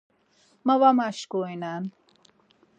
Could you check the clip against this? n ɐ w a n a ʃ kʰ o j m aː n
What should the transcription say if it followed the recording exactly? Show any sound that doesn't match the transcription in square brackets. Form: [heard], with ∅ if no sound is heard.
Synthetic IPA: [m] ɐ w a [m] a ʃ [k] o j [n] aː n